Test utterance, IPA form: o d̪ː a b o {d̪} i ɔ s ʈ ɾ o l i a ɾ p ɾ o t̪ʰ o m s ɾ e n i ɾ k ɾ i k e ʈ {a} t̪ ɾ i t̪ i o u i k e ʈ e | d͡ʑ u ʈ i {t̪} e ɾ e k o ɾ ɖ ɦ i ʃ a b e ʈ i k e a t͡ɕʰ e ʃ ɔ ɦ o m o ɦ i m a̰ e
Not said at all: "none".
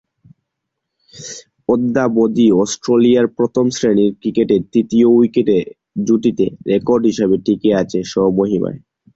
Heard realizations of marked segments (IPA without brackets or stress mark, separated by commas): d̪, e, t̪